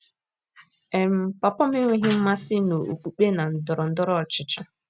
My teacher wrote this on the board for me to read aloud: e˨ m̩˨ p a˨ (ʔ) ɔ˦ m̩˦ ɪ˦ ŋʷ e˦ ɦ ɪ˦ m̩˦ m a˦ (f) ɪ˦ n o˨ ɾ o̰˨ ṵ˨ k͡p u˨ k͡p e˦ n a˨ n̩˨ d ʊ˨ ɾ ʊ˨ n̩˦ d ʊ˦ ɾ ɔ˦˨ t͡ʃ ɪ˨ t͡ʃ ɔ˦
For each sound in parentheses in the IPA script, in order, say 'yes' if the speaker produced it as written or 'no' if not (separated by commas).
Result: no, no